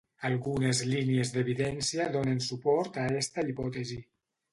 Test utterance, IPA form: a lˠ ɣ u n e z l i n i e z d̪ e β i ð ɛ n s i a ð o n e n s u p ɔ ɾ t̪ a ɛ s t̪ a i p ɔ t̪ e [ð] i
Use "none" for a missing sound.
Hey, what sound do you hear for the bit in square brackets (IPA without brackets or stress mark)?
z